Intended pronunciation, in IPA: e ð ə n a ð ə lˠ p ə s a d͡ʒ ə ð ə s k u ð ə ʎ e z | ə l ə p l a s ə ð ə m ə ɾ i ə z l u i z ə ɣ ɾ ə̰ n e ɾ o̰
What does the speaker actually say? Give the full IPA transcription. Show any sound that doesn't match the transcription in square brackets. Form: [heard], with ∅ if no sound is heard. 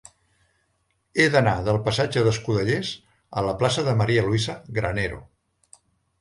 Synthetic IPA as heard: e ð ə n a ð ə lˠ p ə s a d͡ʒ ə ð ə s k u ð ə ʎ e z | ə l ə p l a s ə ð ə m ə ɾ i ə [∅] l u i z ə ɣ ɾ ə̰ n e ɾ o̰